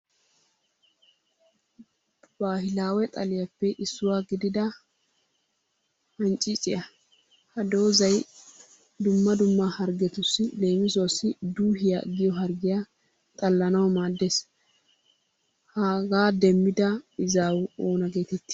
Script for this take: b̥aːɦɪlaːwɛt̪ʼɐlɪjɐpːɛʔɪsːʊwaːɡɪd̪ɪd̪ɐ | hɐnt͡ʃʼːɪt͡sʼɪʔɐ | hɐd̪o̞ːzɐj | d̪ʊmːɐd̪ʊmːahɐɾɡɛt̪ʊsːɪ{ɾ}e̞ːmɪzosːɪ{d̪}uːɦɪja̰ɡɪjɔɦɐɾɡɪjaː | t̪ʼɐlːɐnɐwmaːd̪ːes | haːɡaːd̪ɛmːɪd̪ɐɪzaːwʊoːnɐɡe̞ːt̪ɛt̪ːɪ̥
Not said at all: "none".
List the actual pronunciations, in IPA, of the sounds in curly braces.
l, d̪

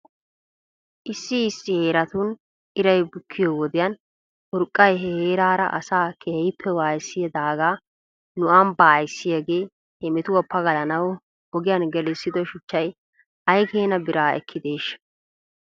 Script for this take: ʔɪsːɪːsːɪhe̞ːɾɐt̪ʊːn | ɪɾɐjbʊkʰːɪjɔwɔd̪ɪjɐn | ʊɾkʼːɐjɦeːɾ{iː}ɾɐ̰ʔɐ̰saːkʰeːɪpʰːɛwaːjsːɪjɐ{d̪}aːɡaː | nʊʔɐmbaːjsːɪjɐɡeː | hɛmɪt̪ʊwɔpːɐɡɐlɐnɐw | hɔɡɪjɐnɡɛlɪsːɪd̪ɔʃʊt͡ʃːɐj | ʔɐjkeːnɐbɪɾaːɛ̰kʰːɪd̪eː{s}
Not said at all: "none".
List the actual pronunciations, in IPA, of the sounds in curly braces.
aː, d̪, ʃ

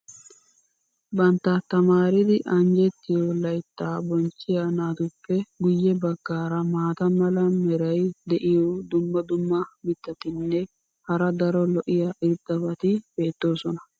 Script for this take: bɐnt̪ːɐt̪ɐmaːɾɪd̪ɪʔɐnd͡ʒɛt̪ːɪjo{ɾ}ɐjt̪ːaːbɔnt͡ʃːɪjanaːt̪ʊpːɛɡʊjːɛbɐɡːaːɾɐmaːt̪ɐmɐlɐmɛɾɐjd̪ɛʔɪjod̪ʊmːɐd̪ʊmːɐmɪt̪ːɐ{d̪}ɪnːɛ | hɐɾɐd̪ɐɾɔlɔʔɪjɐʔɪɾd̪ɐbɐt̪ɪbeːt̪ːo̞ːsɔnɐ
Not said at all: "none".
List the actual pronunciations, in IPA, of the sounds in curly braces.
l, t̪

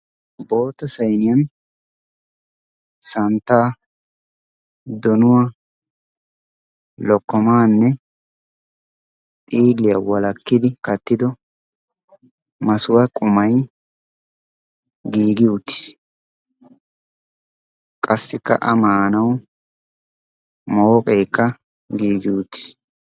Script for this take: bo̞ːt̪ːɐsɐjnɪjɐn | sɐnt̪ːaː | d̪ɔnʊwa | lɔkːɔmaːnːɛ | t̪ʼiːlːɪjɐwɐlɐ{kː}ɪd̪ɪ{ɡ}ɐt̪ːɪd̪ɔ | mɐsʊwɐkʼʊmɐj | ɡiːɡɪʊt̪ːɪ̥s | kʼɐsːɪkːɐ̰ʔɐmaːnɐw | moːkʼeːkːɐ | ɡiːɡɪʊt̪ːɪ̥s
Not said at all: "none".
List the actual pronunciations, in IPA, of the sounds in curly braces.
kː, k

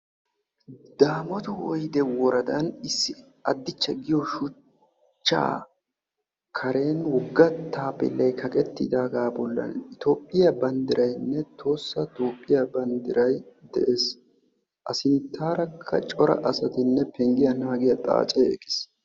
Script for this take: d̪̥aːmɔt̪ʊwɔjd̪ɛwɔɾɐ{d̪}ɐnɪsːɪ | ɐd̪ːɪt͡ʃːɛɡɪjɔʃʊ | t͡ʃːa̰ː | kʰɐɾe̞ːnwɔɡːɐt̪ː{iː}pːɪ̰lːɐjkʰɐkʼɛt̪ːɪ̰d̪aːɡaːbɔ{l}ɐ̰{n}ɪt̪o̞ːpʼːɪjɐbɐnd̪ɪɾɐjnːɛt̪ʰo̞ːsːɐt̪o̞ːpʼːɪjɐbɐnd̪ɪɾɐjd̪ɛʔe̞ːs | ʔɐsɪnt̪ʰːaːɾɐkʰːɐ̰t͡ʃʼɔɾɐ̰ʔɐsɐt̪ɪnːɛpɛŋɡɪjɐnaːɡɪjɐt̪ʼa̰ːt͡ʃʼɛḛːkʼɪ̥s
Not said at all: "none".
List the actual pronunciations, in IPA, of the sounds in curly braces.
d̪, aː, lː, n

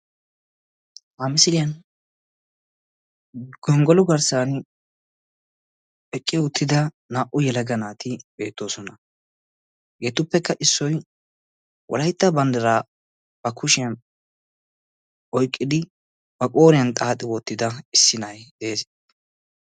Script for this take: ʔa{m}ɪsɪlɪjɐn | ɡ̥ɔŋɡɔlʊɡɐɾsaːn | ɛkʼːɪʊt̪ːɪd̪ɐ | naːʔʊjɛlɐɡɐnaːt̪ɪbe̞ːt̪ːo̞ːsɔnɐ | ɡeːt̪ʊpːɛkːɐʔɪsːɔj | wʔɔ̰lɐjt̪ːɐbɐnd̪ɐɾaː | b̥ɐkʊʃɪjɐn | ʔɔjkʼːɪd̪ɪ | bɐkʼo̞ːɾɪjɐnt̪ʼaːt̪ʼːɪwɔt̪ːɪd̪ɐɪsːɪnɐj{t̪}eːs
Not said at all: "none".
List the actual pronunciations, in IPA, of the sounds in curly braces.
m, d̪

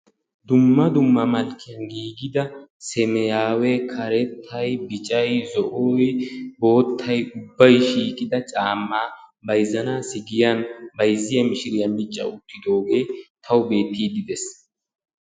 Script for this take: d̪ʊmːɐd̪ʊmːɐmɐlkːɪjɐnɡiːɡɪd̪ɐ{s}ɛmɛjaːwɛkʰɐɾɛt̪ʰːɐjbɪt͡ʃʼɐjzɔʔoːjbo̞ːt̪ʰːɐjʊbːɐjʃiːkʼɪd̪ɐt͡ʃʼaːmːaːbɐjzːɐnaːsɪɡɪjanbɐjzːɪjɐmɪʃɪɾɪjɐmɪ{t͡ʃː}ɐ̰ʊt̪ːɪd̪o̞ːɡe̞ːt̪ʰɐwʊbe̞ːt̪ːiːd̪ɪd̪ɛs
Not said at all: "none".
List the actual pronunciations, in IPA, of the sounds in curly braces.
s, t͡ʃʼː

